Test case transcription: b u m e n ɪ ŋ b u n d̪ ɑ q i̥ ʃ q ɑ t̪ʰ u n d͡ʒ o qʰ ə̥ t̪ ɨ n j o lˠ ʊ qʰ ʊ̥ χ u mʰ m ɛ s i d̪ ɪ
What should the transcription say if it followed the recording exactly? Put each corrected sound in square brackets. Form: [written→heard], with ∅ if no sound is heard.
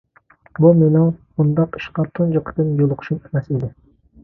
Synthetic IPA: b u m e n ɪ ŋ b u n d̪ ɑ q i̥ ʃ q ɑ t̪ʰ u n d͡ʒ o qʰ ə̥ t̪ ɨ n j o lˠ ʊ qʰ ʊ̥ [χ→ʃ] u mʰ m ɛ s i d̪ ɪ